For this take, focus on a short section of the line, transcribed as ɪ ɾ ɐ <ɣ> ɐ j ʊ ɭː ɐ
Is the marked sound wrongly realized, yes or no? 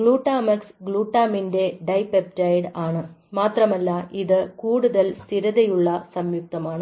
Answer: yes